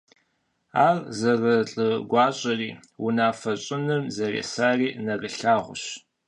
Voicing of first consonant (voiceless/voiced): voiced